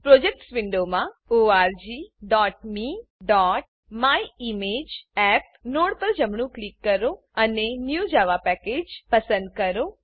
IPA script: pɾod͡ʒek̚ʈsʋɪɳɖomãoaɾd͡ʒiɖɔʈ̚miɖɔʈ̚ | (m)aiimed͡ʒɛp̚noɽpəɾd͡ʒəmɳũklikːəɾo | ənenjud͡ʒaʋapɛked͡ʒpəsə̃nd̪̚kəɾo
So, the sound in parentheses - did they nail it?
yes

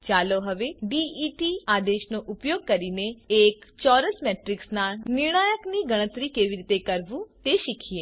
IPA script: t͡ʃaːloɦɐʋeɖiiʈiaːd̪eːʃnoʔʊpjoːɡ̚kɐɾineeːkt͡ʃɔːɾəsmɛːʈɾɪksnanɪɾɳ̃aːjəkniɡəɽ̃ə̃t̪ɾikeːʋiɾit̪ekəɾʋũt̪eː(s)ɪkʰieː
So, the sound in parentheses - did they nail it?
no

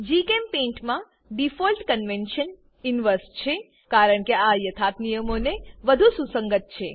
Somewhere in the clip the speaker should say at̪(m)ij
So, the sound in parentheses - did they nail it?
no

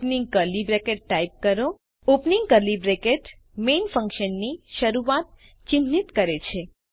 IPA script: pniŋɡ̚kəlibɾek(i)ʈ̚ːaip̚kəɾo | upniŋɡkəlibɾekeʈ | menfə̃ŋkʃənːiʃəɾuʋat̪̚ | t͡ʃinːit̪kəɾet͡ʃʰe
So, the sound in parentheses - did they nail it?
no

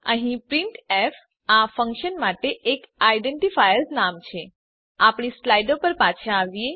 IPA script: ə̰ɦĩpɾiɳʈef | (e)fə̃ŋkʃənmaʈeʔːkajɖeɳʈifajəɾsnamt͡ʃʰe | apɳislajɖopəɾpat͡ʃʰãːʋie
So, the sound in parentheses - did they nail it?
no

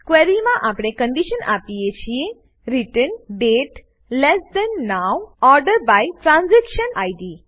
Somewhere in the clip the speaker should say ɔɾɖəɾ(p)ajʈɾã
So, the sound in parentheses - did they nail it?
no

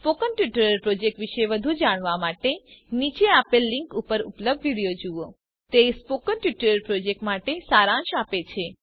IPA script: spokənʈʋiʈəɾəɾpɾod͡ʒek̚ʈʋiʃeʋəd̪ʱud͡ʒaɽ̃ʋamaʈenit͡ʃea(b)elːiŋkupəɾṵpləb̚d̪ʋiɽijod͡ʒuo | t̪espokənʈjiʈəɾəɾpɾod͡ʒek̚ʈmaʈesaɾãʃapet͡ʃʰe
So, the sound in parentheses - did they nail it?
no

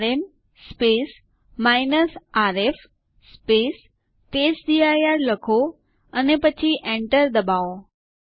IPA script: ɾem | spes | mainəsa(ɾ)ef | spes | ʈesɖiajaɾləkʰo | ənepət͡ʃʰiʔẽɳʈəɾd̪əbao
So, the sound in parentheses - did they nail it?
yes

